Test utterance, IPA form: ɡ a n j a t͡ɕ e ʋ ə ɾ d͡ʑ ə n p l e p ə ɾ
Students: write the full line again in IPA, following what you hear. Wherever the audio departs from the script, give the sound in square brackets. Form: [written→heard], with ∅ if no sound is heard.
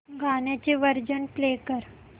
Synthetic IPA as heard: ɡ a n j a t͡ɕ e ʋ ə ɾ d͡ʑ ə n p l e [p→k] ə ɾ